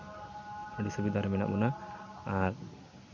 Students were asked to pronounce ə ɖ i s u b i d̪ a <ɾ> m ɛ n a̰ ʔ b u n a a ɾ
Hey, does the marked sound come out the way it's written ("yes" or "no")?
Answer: yes